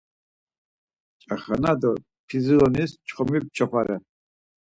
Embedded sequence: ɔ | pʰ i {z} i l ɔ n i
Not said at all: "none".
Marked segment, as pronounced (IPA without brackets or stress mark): z